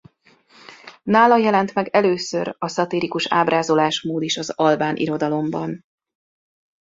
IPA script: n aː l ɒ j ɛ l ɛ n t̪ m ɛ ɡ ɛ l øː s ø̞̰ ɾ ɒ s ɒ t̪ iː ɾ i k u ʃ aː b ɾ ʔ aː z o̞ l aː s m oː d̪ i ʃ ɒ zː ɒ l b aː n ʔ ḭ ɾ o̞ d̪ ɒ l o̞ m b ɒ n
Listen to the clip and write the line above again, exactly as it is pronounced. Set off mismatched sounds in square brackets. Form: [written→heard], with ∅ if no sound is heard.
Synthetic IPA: n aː l ɒ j ɛ l ɛ n t̪ m ɛ ɡ ɛ l øː s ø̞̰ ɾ ɒ s ɒ t̪ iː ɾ i k u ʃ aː b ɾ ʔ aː z o̞ l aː [s→ʃ] m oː d̪ i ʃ ɒ [zː→z] ɒ l b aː n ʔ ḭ ɾ o̞ d̪ ɒ l o̞ m b ɒ n